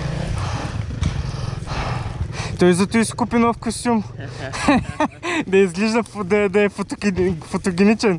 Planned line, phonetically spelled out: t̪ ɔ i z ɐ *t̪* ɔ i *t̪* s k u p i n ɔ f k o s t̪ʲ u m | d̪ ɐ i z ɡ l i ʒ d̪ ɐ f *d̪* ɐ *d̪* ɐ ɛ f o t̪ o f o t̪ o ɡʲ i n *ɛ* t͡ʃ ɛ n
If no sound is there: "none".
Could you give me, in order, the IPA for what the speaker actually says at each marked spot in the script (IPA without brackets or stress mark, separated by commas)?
t̪, none, d̪, d̪, i